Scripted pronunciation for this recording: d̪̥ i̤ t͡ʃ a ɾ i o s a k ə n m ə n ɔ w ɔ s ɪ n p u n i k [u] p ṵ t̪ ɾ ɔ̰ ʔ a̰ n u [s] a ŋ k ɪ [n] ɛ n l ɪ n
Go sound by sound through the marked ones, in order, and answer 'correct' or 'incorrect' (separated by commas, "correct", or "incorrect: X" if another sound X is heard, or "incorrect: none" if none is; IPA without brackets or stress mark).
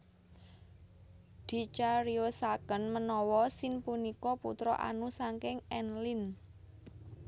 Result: incorrect: ɔ, correct, incorrect: ŋ